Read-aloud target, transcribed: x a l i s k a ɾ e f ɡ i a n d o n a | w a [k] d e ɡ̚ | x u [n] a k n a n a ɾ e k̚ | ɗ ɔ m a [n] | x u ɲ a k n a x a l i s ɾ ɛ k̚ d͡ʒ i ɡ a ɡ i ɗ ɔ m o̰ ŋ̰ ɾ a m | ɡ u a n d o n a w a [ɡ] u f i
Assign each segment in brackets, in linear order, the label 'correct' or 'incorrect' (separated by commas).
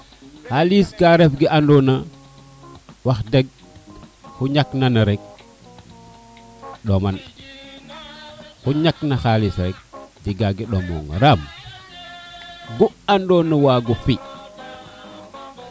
incorrect, incorrect, correct, correct